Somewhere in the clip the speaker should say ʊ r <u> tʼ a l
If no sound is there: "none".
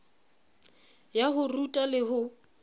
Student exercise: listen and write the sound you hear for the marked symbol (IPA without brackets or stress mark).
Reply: u